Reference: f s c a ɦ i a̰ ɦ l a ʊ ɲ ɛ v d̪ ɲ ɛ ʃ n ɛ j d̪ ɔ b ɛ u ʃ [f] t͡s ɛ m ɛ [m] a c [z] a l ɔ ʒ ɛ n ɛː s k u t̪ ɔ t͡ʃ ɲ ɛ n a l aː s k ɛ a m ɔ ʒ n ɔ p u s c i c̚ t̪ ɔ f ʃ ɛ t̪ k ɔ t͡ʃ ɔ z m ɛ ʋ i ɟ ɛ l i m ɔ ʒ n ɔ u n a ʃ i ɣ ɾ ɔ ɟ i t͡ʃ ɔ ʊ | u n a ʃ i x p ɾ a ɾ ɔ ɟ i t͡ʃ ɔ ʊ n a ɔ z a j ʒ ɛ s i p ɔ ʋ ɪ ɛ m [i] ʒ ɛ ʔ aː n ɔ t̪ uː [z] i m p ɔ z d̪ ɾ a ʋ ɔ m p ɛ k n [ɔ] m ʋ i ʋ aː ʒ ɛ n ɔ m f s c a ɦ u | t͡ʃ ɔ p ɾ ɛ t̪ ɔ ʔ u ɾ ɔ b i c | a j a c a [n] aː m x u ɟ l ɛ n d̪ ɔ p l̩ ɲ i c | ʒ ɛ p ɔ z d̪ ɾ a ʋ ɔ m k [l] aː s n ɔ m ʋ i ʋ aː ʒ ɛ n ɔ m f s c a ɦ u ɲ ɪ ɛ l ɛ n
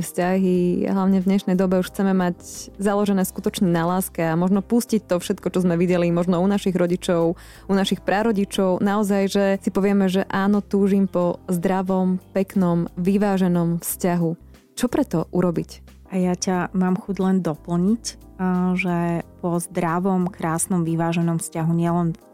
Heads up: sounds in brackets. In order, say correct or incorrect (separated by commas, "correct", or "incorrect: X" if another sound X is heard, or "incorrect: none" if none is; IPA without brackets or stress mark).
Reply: incorrect: x, correct, correct, incorrect: ɛ, incorrect: ʒ, correct, incorrect: m, incorrect: ɾ